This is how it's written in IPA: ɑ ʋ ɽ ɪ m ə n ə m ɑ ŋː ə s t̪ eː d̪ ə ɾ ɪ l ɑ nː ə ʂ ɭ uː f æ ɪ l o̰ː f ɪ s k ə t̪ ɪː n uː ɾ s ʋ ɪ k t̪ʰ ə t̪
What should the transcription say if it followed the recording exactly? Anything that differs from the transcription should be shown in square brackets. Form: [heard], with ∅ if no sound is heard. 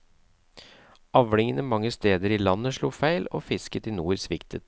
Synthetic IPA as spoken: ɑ ʋ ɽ ɪ [ŋ] ə n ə m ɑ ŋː ə s t̪ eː d̪ ə ɾ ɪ l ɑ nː ə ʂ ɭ uː f æ ɪ l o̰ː f ɪ s k ə t̪ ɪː n uː ɾ s ʋ ɪ k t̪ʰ ə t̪